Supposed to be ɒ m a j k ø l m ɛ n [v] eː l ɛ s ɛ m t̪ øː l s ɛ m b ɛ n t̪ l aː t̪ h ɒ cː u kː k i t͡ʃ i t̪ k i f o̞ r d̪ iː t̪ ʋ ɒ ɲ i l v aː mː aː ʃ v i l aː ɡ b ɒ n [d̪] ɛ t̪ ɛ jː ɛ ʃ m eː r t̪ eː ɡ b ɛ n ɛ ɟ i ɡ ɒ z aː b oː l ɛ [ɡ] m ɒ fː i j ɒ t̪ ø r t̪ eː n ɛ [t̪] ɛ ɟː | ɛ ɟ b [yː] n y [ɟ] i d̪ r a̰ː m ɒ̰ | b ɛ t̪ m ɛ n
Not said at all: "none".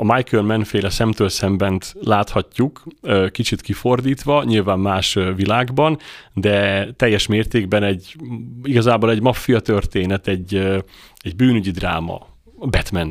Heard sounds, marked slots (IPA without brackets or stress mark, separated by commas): f, d̪, ɟ, t̪, yː, ɟ